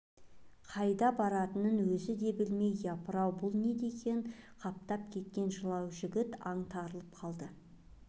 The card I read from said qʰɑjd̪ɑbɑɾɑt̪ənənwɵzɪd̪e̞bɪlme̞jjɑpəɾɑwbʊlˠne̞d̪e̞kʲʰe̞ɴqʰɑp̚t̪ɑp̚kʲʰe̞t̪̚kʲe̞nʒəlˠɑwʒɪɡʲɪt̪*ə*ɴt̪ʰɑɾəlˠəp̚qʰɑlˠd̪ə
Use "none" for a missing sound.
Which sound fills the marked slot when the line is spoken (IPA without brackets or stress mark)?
ɑ